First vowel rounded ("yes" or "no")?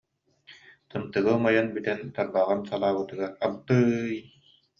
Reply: no